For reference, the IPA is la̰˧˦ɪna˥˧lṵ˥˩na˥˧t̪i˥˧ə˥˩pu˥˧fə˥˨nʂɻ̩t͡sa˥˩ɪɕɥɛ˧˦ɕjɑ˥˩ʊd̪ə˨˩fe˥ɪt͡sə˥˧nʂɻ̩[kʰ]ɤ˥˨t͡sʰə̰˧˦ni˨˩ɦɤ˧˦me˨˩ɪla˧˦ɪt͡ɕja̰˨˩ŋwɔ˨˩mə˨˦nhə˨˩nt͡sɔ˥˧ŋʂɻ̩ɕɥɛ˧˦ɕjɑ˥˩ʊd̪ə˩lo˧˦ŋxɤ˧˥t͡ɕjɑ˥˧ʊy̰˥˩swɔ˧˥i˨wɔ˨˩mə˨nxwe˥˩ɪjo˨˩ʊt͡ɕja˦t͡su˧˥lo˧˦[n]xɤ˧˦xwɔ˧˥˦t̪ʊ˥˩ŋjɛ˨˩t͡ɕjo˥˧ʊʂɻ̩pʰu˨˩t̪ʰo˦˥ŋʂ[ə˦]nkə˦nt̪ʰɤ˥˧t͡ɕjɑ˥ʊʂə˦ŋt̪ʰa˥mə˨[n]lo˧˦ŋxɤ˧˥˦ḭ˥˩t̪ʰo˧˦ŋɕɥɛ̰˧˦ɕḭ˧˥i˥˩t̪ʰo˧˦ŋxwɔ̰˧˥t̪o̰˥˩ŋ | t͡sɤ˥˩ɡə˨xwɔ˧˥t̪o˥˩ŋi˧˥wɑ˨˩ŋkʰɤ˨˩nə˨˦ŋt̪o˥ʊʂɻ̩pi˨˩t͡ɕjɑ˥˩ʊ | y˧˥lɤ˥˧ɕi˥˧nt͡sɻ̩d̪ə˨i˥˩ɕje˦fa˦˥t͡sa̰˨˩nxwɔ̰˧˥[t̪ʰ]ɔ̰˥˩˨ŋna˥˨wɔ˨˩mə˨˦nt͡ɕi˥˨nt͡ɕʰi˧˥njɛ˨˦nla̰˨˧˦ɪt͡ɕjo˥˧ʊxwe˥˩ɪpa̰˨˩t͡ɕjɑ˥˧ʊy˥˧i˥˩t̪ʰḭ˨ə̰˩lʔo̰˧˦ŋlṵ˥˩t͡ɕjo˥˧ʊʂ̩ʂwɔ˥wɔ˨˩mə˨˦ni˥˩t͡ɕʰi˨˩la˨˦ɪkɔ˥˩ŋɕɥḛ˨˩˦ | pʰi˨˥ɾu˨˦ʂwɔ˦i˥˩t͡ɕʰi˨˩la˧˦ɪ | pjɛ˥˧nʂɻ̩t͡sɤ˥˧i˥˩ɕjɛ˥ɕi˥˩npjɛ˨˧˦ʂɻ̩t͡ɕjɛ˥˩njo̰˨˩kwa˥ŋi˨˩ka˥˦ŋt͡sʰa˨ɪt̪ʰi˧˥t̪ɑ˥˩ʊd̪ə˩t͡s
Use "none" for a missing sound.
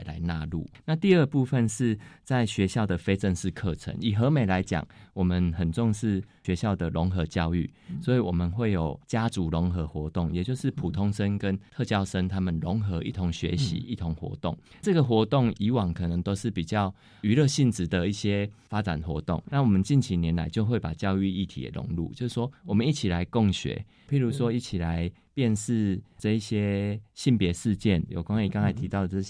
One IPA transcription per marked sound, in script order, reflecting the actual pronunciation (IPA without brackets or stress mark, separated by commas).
kʰ, ŋ, ə˦, n, t̪